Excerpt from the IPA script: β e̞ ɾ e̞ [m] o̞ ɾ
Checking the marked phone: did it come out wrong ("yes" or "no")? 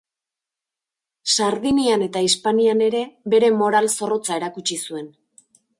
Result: no